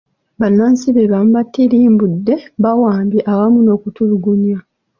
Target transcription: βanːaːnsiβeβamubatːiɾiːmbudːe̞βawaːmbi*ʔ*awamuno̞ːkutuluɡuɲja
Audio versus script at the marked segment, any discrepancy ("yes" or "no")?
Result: no